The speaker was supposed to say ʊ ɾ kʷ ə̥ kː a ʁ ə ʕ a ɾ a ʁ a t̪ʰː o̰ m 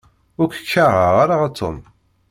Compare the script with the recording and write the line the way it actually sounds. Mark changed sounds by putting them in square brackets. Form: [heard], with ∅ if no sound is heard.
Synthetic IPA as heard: ʊ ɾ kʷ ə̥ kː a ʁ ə [ʁ] a ɾ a ʁ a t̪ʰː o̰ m